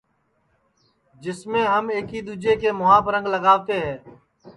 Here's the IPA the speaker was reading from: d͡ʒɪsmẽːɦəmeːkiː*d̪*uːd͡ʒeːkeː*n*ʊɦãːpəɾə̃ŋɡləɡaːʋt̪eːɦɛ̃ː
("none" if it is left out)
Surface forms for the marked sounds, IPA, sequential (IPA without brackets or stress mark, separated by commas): d̪, m